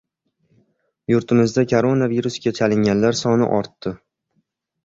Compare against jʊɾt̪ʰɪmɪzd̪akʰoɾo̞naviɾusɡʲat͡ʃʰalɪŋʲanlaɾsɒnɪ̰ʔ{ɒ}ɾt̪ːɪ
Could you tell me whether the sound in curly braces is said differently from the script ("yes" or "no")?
no